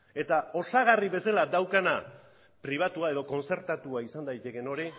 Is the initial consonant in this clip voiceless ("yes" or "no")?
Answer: yes